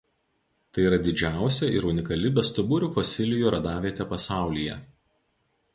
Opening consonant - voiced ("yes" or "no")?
no